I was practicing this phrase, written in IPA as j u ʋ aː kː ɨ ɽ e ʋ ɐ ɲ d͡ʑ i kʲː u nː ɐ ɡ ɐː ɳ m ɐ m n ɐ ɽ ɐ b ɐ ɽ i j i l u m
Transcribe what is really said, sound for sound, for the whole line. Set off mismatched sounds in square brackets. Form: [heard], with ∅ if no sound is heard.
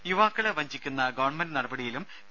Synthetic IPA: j u ʋ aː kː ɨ [ɭ] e ʋ ɐ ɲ d͡ʑ i kʲː u nː ɐ ɡ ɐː ɳ m ɐ [n] n ɐ ɽ ɐ b ɐ ɽ i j i l u m